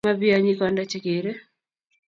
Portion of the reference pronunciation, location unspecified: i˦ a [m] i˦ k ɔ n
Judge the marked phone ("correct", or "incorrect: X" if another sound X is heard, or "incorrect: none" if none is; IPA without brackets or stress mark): incorrect: ɲ